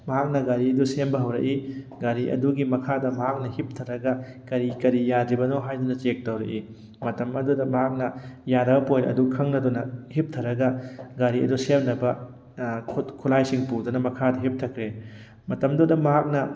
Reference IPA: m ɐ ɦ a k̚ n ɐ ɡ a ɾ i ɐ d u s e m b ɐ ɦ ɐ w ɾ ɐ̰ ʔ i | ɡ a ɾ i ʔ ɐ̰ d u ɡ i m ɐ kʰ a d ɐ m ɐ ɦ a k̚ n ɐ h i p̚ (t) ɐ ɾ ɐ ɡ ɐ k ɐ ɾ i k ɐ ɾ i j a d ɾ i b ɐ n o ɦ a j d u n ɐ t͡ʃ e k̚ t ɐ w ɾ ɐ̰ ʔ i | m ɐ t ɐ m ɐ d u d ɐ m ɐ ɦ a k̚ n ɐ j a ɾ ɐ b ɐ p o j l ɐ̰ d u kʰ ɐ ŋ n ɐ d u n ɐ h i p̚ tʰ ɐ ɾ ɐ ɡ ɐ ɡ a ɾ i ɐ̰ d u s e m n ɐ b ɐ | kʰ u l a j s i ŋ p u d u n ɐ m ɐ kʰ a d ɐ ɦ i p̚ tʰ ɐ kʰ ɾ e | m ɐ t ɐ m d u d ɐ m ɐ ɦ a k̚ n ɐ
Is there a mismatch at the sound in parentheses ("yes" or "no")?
yes